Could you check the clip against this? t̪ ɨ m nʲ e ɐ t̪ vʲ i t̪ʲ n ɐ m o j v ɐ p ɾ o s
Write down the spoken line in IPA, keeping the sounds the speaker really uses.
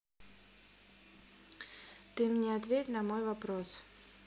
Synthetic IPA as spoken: t̪ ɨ m nʲ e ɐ t̪ vʲ e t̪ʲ n ɐ m o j v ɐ p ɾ o s